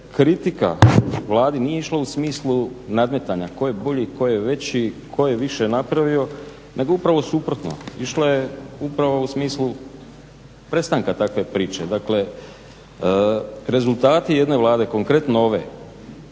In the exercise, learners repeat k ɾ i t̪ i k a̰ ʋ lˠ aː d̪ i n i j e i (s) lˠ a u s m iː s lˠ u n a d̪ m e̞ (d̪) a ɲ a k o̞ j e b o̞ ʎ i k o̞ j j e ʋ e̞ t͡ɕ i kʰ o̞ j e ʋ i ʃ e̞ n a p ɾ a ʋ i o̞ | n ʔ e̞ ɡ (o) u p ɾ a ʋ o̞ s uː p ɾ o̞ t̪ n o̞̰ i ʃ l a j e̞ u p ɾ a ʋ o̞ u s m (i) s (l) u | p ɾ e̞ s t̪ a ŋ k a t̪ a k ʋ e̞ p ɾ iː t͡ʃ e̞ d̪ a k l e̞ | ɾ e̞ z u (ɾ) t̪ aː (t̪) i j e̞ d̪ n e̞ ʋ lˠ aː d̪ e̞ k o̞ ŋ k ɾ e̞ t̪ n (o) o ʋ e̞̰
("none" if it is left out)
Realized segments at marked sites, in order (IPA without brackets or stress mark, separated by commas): ʃ, t̪, o, iː, l, l, t̪, o